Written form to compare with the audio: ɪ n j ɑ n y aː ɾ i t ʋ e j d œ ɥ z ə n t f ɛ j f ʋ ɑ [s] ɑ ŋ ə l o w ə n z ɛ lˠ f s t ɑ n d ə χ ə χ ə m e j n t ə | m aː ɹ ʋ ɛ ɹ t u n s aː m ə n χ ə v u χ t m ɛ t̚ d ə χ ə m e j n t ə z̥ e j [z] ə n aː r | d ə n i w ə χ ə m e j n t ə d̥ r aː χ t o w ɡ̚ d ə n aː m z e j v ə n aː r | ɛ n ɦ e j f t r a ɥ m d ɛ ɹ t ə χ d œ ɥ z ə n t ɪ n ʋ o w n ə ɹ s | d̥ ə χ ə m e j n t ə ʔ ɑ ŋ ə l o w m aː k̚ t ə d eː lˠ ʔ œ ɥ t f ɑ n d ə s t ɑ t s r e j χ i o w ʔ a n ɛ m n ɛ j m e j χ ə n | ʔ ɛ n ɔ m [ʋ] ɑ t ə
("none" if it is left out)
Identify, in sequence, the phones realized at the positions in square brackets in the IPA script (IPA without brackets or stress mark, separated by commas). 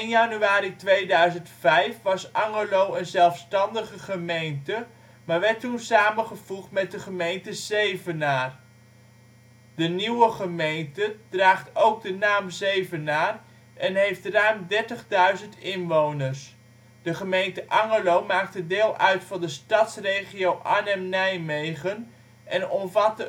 s, v, v